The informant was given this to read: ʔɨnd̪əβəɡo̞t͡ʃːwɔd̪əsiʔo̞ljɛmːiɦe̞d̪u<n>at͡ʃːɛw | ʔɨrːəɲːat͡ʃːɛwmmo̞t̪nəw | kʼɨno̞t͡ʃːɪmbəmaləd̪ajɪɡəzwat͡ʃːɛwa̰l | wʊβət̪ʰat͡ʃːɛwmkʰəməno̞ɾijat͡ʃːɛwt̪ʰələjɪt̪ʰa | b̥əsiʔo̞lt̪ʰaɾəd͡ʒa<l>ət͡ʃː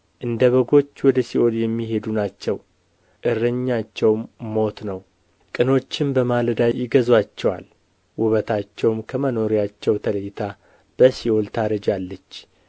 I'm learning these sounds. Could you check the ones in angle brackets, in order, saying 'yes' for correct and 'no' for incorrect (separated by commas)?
yes, no